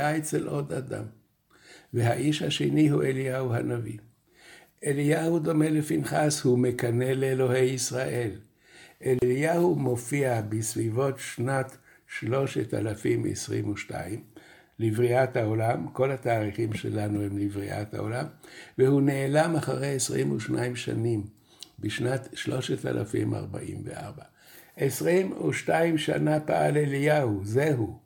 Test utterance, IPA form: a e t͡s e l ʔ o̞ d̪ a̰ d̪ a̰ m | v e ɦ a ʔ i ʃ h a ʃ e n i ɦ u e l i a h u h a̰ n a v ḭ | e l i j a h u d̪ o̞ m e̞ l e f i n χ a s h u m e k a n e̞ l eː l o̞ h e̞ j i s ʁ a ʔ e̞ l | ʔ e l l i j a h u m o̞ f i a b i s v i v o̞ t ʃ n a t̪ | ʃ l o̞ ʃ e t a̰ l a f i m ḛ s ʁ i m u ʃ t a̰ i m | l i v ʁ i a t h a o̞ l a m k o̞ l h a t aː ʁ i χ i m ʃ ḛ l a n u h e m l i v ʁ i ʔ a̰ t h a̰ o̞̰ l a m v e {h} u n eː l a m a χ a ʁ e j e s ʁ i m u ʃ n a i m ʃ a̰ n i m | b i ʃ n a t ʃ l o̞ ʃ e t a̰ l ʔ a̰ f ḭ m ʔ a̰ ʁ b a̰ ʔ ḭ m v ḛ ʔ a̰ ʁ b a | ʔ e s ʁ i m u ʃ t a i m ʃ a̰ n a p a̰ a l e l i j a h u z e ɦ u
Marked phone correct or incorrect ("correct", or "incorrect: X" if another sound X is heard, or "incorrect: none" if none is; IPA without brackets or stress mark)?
correct